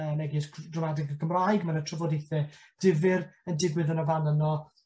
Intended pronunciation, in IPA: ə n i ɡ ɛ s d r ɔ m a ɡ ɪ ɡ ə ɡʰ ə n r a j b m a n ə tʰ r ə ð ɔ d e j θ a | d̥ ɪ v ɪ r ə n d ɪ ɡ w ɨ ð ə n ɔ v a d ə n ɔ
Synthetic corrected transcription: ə n ɛ ɡ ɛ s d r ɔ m a d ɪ ɡ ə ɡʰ ə m r a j ɡ m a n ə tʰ r ə v ɔ d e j θ ɛ | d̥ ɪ v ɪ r ə n d ɪ ɡ w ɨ ð ə n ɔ v a n ə n ɔ